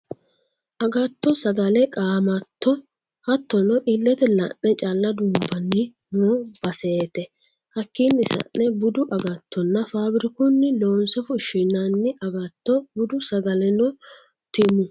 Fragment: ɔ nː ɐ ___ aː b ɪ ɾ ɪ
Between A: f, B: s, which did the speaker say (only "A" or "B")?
A